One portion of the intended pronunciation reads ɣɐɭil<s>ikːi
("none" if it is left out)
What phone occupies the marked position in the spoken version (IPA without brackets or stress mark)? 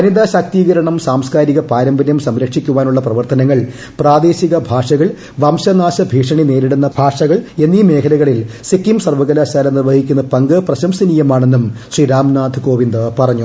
s